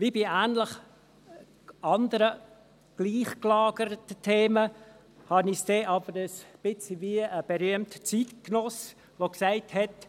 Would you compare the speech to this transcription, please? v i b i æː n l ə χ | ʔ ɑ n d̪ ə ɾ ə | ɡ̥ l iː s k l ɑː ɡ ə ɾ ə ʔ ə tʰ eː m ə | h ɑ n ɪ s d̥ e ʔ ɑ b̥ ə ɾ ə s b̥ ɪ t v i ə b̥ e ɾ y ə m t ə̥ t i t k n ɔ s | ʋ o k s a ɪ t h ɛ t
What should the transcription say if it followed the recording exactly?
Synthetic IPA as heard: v i b i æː n l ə χ | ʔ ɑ n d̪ ə ɾ ə | ɡ̥ l iː χ k l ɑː ɡ ə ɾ ə t ə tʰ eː m ə | h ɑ n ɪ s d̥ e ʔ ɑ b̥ ə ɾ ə s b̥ ɪ t͡s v i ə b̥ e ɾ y ə m t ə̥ t͡s i t k n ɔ s | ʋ o k s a ɪ t h ɛ t